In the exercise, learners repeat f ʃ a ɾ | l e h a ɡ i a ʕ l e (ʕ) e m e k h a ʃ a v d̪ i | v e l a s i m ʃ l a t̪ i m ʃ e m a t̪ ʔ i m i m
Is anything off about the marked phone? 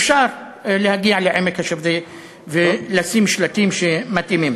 no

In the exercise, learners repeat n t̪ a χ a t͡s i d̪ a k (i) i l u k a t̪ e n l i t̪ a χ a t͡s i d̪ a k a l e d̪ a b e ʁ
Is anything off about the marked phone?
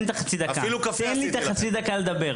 yes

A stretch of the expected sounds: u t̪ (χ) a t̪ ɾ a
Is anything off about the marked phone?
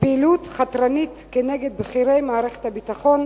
no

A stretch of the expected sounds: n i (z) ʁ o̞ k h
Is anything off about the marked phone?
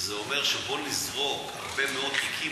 no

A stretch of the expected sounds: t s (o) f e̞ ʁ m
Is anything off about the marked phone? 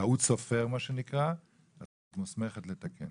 no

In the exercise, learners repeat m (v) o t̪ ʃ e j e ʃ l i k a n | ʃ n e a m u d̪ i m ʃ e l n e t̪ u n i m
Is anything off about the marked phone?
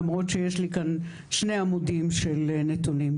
yes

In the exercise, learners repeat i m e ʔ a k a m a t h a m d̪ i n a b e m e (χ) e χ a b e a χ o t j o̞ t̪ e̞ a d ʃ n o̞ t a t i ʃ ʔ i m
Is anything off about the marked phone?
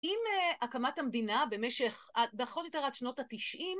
yes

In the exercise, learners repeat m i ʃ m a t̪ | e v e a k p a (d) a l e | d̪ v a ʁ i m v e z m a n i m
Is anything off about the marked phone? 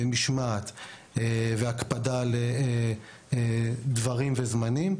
no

